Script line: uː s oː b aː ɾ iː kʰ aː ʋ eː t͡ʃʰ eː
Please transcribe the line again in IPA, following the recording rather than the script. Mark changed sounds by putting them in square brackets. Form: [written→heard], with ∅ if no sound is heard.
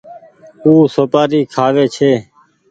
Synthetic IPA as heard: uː s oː [b→p] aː ɾ iː kʰ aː ʋ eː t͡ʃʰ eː